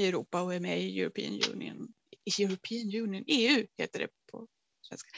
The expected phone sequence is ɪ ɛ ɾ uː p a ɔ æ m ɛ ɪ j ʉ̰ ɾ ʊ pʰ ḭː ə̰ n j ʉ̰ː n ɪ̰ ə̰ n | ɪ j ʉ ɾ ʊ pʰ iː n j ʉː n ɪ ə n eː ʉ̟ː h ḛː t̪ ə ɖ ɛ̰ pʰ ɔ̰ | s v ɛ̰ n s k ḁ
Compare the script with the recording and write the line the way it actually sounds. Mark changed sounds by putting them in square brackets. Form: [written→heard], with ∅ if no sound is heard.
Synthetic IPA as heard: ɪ ɛ ɾ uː p a ɔ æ m ɛ ɪ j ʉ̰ ɾ ʊ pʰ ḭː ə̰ n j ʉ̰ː n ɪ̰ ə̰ n | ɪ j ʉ ɾ ʊ pʰ iː n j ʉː n ɪ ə n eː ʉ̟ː h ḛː t̪ ə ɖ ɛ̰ pʰ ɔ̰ | s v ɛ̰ n s k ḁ